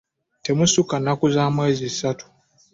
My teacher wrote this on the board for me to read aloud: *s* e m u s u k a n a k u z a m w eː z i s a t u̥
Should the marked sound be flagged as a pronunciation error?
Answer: yes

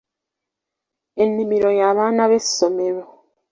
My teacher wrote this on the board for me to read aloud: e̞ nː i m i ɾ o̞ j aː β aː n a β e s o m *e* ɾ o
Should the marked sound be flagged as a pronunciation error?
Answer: no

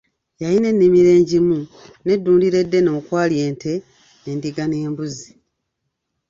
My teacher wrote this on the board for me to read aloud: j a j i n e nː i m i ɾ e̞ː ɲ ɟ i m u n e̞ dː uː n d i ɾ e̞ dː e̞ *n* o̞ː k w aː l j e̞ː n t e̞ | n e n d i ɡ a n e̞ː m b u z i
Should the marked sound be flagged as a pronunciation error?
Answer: no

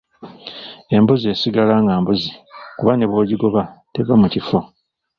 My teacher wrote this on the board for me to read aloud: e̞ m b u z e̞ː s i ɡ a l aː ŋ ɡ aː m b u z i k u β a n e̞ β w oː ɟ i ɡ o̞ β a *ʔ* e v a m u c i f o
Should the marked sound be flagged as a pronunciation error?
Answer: yes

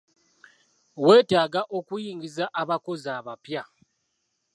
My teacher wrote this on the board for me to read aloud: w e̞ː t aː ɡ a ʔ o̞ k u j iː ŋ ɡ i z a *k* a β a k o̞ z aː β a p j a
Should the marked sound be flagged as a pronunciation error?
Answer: yes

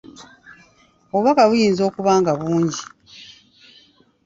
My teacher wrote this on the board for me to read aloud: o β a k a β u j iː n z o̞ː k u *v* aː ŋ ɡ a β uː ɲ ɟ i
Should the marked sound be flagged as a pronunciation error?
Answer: yes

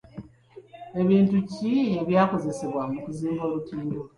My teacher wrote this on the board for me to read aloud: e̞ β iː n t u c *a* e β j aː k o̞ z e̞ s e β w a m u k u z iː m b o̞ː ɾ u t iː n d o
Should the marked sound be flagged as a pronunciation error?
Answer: yes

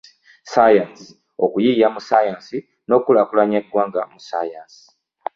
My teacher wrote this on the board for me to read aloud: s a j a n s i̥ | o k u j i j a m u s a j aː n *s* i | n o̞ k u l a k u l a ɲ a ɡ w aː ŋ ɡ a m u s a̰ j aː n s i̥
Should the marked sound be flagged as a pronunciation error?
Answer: no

